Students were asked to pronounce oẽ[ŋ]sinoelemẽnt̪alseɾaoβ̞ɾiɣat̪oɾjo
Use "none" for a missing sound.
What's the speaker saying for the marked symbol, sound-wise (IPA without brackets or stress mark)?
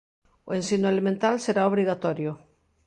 n